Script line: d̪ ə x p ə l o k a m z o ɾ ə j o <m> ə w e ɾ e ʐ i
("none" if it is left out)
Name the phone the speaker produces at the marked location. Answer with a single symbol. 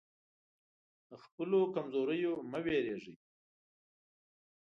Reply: m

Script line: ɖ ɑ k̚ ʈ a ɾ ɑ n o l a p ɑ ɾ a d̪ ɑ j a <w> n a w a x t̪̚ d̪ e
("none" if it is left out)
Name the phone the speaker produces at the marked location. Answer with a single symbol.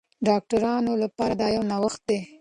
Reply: w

